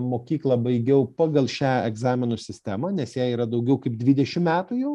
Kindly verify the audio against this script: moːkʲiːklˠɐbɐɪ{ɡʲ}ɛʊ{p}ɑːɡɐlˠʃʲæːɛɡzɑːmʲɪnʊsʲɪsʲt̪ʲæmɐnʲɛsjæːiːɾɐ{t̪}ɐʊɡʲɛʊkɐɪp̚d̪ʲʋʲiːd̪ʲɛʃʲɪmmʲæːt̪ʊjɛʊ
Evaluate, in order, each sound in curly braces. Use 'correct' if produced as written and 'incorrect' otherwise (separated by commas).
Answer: correct, correct, incorrect